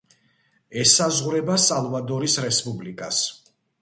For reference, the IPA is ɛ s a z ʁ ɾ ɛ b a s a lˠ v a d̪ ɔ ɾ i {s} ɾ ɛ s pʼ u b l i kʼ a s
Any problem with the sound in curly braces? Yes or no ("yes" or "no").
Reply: no